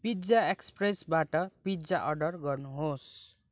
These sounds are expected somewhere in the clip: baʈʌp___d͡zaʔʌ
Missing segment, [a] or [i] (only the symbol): i